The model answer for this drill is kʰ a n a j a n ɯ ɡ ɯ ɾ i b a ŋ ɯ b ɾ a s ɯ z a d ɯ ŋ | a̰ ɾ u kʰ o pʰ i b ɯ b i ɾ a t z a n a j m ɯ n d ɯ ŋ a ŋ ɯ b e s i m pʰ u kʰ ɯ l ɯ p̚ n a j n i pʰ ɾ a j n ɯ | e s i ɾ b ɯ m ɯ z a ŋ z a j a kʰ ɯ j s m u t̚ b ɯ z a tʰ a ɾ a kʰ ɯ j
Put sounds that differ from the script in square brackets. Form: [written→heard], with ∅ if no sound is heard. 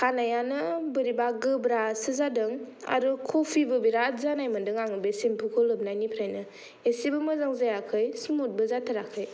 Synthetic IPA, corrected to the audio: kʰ a n a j a n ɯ [ɡ→b] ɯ ɾ i b a [ŋ→ɡ] ɯ b ɾ a s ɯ z a d ɯ ŋ | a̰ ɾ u kʰ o pʰ i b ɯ b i ɾ a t z a n a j m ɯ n d ɯ ŋ a ŋ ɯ b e s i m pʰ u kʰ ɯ l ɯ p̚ n a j n i pʰ ɾ a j n ɯ | e s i [ɾ→∅] b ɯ m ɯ z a ŋ z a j a kʰ ɯ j s m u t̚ b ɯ z a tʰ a ɾ a kʰ ɯ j